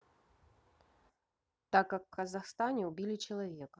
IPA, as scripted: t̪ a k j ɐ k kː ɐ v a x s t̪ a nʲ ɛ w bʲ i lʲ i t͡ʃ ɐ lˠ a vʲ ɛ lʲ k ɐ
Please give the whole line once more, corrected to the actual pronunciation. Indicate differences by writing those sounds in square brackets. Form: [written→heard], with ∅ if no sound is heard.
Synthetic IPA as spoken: t̪ a k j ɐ k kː ɐ [v→z] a x s t̪ a nʲ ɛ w bʲ i lʲ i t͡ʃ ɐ lˠ a vʲ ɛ [lʲ→∅] k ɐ